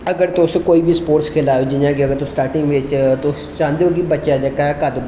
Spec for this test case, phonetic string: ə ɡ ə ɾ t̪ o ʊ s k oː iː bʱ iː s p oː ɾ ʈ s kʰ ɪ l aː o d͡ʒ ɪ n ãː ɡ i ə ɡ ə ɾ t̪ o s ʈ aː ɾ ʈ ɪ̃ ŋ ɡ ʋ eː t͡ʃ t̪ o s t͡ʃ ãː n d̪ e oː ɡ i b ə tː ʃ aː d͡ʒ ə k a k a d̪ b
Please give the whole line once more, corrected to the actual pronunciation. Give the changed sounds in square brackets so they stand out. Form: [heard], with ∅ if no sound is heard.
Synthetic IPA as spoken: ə ɡ ə ɾ t̪ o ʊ s k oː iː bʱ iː s p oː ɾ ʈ s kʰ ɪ l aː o d͡ʒ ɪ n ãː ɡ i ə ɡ ə ɾ t̪ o s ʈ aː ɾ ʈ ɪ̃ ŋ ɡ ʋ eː t͡ʃ t̪ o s t͡ʃ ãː n d̪ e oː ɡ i b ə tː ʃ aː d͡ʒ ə k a k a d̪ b